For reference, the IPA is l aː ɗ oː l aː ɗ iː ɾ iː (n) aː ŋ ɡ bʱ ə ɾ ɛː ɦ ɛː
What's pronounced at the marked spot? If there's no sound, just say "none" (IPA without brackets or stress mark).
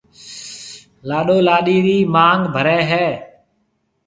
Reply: m